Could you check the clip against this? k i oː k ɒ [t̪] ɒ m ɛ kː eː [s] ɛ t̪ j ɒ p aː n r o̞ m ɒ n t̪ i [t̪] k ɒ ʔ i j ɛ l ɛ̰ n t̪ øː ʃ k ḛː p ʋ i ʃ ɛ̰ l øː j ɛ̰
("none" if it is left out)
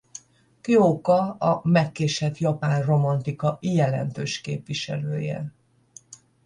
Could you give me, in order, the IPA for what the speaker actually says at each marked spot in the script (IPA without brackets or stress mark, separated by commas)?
none, ʃ, none